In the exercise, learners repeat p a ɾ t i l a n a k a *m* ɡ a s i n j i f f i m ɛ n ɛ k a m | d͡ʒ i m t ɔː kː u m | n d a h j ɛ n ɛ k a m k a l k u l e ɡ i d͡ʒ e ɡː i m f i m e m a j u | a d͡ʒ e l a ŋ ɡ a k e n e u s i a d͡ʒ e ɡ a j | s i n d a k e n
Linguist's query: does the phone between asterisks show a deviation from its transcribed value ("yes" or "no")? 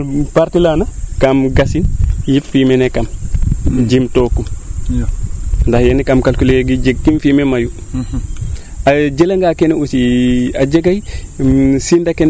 no